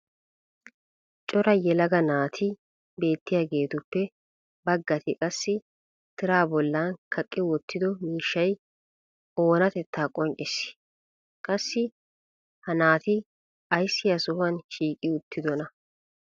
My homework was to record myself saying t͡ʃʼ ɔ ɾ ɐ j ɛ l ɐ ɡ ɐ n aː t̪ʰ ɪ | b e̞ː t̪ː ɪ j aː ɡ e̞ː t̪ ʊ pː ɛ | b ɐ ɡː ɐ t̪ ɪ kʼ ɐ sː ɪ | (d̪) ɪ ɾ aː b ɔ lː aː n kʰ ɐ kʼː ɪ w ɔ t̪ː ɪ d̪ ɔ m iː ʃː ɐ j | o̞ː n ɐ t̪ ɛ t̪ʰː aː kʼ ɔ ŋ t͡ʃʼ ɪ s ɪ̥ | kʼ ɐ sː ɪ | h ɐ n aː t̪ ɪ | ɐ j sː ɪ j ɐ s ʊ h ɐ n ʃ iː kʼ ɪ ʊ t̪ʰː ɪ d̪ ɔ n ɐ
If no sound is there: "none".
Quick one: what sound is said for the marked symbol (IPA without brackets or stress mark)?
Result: t̪